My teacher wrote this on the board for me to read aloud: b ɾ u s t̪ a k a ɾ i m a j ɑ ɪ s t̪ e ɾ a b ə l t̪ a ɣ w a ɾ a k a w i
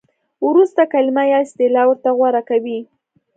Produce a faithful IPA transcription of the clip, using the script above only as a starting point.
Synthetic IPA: w ɾ u s t̪ a k a l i m a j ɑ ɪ s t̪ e l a w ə ɾ t̪ a ɣ w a ɾ a k a w i